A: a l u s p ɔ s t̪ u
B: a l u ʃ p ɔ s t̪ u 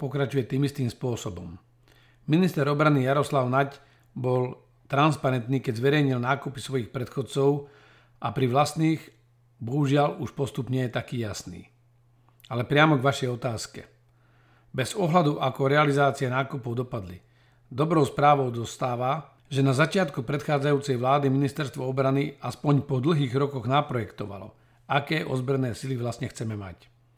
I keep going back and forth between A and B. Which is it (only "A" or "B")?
B